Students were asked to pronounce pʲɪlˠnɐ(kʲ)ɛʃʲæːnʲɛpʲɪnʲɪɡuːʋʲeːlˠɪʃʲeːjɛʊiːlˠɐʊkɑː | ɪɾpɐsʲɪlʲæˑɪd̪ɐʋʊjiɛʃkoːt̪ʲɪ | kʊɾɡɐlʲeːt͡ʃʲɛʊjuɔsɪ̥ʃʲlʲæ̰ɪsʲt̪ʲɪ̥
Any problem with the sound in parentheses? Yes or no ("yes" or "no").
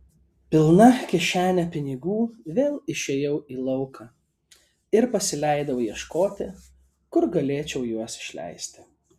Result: no